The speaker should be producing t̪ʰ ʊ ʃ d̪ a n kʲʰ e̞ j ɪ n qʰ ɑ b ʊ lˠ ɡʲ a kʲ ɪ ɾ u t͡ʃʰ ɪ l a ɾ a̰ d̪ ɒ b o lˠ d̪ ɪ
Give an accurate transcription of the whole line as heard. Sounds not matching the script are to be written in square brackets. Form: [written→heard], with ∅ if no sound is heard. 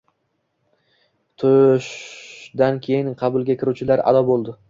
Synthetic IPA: t̪ʰ ʊ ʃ d̪ a n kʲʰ e̞ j ɪ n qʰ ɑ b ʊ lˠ ɡʲ a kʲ ɪ ɾ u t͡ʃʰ ɪ l a ɾ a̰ d̪ ɒ b o lˠ d̪ ɪ